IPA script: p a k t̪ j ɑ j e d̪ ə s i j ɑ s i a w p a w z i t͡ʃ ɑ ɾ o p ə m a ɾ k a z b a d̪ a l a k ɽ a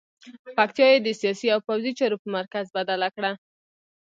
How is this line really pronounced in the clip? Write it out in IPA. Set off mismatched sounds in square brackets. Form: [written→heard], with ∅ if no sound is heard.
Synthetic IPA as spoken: p a k t̪ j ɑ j e d̪ ə s i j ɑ s i a w p a w z i t͡ʃ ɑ ɾ o p ə m a ɾ k a z b a d̪ a l a k ɽ a